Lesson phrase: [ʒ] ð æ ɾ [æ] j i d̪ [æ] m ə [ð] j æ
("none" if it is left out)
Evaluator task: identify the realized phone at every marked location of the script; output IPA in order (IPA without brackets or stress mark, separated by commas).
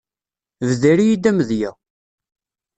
v, i, æ, ð